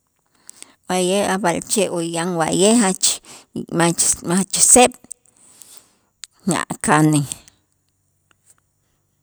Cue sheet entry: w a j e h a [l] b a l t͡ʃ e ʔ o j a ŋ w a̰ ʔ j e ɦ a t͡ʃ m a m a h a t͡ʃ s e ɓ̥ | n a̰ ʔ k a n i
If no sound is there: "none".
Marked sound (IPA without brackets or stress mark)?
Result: none